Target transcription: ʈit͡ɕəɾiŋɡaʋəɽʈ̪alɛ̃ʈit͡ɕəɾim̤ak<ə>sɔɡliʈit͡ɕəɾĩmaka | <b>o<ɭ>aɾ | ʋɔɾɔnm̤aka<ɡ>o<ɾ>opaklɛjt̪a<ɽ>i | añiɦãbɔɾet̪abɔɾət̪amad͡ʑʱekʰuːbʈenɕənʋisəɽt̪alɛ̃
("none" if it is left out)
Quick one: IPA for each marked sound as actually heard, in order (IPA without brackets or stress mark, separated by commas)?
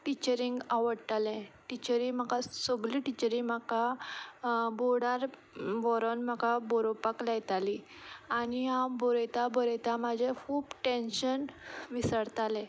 a, b, ɽ, b, ɾ, l